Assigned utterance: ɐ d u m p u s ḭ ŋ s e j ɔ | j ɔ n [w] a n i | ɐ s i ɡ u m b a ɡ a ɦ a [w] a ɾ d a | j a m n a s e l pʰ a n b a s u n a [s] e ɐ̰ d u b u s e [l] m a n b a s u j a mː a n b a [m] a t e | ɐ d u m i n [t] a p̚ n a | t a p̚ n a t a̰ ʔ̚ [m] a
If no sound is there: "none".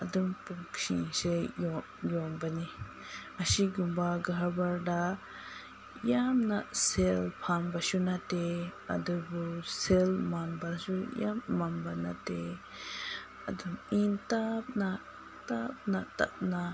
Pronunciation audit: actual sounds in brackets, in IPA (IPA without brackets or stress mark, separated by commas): b, b, t, l, n, t, n